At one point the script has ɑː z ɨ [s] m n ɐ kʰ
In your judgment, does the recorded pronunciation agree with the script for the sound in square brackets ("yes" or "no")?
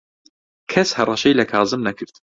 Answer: no